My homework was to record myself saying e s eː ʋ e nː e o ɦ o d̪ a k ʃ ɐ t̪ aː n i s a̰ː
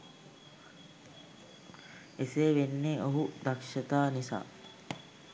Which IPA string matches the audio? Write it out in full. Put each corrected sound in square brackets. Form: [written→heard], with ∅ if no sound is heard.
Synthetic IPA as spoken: e s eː ʋ e nː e o ɦ [o→u] d̪ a k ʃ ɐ t̪ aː n i s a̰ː